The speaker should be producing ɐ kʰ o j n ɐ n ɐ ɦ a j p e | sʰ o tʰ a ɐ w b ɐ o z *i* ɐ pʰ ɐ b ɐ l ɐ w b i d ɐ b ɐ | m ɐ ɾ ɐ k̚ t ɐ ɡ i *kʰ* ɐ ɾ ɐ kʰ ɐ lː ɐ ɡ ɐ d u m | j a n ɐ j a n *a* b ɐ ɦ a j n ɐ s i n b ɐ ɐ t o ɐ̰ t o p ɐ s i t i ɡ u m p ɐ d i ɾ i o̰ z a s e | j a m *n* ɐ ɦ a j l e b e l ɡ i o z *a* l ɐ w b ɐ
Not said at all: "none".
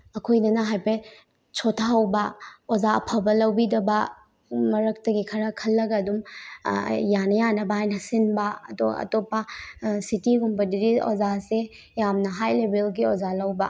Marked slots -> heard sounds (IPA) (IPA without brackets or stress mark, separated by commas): a, kʰ, ɐ, n, a